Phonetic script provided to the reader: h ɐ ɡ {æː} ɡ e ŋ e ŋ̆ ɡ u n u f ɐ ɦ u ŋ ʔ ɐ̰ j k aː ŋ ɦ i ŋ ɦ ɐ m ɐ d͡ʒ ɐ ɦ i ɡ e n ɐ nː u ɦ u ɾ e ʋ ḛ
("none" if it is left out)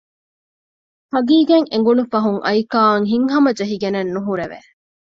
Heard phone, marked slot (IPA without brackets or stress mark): iː